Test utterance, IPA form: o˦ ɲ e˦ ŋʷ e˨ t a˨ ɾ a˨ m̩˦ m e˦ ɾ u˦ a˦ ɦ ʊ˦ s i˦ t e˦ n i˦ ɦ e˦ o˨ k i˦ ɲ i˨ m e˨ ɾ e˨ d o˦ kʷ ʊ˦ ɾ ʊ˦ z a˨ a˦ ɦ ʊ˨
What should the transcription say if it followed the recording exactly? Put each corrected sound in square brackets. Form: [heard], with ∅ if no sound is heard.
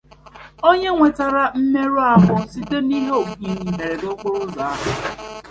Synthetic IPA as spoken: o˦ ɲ e˦ ŋʷ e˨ t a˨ ɾ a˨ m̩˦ m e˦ ɾ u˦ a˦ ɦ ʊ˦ s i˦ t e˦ n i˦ ɦ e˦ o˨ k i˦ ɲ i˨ m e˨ ɾ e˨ d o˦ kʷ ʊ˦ ɾ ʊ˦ z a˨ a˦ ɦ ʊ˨